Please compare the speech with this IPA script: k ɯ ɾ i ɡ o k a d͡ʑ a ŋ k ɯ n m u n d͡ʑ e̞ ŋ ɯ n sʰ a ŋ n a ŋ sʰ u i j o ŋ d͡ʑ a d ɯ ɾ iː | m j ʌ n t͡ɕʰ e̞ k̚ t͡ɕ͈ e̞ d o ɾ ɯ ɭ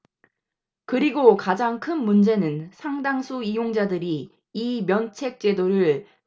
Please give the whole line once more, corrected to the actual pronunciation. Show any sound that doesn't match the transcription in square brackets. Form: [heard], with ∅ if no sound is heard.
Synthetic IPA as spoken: k ɯ ɾ i ɡ o k a d͡ʑ a ŋ [kʰ] ɯ n m u n d͡ʑ e̞ [n] ɯ n sʰ a ŋ [d] a ŋ sʰ u i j o ŋ d͡ʑ a d ɯ ɾ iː | m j ʌ n t͡ɕʰ e̞ k̚ t͡ɕ͈ e̞ d o ɾ ɯ ɭ